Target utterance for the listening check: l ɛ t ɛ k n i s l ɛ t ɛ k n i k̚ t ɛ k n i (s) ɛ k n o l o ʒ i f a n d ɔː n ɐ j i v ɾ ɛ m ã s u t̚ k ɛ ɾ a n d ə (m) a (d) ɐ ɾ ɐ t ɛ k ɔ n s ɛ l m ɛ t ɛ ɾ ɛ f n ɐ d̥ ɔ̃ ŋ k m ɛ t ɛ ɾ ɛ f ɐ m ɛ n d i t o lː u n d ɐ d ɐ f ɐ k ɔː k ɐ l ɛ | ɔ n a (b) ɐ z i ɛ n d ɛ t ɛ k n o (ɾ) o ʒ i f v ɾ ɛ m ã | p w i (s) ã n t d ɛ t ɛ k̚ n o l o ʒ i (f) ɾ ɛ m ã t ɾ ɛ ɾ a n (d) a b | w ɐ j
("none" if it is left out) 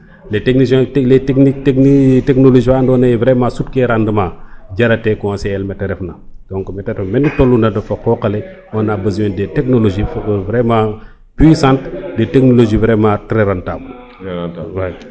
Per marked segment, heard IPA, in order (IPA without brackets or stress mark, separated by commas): t, m, ɟ, b, l, s, v, t